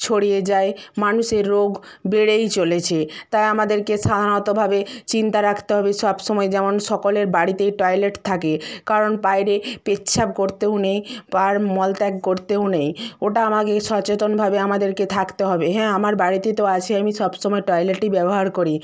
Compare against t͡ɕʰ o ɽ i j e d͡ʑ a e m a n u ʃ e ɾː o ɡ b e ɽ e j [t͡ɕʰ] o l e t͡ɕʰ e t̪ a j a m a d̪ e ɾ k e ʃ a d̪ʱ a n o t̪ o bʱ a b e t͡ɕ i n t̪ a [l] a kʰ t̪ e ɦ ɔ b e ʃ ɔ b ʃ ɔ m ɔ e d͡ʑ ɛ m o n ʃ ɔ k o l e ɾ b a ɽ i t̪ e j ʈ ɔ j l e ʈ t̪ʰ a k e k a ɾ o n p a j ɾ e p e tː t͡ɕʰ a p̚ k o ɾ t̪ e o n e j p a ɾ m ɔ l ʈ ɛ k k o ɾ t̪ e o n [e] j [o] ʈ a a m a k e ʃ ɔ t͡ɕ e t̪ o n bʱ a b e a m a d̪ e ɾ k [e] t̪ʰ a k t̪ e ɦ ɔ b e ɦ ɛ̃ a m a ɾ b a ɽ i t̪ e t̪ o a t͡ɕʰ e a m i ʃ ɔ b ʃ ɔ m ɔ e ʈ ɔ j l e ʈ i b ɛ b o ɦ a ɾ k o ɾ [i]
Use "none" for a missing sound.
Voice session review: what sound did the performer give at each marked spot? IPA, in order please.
t͡ɕ, ɾ, e, o, e, i

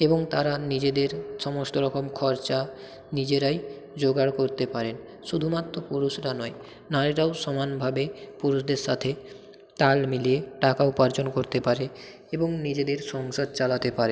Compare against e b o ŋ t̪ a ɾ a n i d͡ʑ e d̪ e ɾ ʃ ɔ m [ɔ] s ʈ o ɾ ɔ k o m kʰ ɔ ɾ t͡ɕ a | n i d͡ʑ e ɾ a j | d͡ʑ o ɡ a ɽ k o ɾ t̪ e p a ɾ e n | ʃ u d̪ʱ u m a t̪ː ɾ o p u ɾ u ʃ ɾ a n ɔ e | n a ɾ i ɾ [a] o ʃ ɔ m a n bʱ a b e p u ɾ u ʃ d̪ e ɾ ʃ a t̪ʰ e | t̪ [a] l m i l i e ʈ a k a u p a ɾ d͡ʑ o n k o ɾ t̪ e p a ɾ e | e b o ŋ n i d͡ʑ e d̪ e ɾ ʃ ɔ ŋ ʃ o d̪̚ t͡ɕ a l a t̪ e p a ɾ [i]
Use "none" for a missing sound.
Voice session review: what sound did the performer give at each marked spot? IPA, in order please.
o, a, a, e

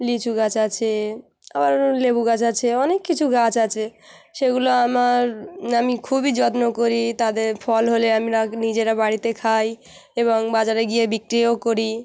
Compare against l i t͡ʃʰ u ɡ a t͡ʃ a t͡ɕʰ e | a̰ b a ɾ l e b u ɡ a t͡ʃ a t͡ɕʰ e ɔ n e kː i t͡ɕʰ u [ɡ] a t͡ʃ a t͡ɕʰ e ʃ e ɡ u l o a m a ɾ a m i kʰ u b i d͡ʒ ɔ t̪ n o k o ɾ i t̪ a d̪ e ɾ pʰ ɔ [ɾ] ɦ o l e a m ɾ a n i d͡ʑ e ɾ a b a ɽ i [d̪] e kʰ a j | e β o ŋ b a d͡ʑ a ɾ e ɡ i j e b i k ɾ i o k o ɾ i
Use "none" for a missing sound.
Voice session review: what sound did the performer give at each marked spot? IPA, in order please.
ɡ, l, t̪

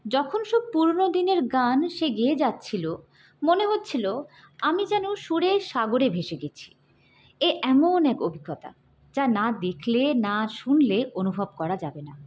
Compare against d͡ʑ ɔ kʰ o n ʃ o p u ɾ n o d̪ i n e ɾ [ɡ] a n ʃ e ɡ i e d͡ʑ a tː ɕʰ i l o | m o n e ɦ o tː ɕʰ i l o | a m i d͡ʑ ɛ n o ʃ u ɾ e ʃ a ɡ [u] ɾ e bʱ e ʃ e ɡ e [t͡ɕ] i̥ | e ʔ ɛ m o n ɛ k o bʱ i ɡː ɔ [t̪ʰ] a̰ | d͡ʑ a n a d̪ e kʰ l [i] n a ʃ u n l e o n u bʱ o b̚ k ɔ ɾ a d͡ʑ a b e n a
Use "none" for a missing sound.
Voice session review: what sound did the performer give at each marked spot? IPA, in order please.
ɡ, o, t͡ɕʰ, t̪, e

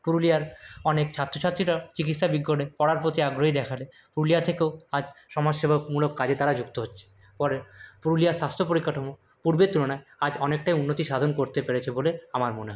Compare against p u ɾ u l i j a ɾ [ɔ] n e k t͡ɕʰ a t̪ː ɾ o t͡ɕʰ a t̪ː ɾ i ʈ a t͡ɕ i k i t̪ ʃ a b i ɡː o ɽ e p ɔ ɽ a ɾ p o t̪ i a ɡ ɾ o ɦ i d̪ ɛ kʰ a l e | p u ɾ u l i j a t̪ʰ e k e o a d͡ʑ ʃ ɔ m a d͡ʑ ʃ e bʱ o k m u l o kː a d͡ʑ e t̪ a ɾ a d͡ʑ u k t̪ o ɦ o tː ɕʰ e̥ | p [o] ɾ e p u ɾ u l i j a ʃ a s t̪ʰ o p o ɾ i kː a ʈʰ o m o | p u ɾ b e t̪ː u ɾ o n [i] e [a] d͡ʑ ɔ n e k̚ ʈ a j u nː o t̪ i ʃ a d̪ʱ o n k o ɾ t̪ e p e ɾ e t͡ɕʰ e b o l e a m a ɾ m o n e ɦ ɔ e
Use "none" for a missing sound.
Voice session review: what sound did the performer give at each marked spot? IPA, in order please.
ɔ, ɔ, a, a

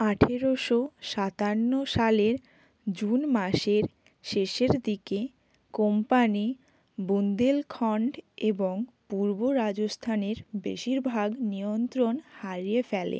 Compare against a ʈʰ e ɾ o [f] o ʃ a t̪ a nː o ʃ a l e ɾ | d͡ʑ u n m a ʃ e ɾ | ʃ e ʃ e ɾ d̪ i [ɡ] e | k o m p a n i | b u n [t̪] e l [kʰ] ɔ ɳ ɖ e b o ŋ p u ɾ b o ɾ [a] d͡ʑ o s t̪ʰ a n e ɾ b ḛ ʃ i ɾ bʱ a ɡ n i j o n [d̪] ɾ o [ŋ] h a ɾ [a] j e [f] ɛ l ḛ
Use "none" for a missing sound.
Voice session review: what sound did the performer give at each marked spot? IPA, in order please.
ʃ, k, d̪, kʰ, a, t̪, n, i, f

